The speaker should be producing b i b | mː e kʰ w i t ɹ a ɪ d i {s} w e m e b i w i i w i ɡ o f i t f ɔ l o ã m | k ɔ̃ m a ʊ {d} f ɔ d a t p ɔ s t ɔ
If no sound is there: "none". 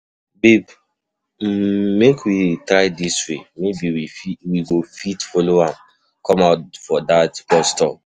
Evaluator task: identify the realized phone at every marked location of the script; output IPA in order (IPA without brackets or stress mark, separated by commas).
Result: s, t